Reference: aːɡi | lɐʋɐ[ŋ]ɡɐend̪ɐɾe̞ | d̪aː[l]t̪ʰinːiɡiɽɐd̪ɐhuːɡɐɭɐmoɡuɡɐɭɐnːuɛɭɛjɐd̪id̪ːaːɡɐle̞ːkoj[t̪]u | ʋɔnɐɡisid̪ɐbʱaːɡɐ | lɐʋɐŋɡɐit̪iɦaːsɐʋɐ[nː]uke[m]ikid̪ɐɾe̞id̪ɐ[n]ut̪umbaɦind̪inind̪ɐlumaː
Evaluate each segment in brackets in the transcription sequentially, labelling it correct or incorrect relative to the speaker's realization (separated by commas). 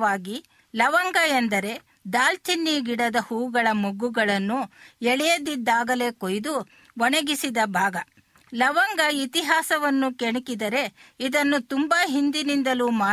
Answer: correct, correct, incorrect, correct, incorrect, incorrect